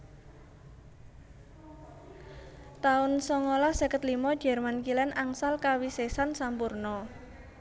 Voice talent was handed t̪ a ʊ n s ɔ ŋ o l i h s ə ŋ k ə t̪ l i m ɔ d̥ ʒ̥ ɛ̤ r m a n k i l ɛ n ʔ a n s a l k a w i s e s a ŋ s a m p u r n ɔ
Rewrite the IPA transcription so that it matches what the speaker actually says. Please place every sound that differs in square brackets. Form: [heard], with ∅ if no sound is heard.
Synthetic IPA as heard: t̪ a ʊ n s ɔ ŋ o l [a] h s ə [∅] k ə t̪ l i m ɔ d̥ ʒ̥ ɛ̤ r m a n k i l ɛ n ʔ a [ŋ] s a l k a w i s e s a [n] s a m p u r n ɔ